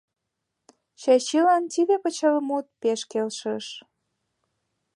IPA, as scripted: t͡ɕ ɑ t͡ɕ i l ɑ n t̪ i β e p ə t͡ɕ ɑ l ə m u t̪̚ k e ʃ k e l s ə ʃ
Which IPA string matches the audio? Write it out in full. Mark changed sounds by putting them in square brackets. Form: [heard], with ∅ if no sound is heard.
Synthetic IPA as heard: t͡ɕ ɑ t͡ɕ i l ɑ n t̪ i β e p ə t͡ɕ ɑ l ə m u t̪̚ [p] e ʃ k e l [ʃ] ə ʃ